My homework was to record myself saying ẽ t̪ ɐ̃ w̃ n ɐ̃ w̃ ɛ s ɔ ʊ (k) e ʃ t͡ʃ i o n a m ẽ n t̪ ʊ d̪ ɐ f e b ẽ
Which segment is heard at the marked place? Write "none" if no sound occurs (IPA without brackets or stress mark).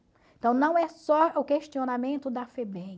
k